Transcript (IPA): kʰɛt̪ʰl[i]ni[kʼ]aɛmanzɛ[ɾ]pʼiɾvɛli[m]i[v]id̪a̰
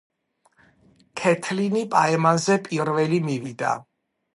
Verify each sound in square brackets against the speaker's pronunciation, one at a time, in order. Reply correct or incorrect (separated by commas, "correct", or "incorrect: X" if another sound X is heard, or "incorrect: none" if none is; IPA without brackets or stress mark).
correct, incorrect: pʼ, incorrect: none, correct, correct